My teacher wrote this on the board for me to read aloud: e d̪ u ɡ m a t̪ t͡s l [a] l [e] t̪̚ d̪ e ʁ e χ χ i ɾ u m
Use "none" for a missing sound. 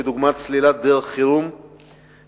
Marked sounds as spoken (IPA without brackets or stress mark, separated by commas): i, a